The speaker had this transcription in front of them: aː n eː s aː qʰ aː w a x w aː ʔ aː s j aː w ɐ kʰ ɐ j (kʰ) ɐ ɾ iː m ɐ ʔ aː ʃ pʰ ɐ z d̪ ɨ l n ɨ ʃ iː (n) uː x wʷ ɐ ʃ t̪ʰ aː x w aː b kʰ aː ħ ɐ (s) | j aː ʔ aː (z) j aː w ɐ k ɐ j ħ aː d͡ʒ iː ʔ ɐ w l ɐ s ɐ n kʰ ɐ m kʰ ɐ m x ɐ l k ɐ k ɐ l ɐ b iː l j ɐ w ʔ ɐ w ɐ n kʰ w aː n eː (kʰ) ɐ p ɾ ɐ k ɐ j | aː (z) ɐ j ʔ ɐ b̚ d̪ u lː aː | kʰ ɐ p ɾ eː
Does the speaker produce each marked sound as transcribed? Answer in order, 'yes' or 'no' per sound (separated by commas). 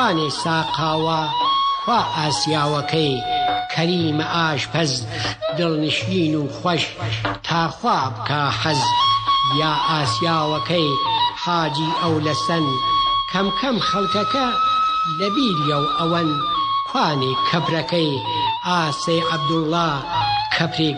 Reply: yes, yes, no, no, yes, no